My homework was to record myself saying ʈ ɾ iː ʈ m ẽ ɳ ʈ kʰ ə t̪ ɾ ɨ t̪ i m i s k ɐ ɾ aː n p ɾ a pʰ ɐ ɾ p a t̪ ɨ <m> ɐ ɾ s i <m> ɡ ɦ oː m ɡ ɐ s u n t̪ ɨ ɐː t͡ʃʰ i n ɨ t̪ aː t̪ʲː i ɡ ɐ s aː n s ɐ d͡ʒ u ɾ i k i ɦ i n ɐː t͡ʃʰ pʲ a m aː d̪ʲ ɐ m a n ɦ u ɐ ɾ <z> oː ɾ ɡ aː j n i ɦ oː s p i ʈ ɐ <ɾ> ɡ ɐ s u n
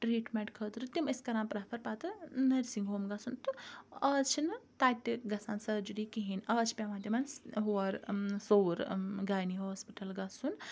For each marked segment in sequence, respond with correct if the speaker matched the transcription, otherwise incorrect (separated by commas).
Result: incorrect, incorrect, incorrect, incorrect